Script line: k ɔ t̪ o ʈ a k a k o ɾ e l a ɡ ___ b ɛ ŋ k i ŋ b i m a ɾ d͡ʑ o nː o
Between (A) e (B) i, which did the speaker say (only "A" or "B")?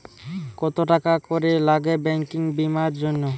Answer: A